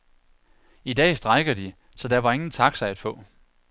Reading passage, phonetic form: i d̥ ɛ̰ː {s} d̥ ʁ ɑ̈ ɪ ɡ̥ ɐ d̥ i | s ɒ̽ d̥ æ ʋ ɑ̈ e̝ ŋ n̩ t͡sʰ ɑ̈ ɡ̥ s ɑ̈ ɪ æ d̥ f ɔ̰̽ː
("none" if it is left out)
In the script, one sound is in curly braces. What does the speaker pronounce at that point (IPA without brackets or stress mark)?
s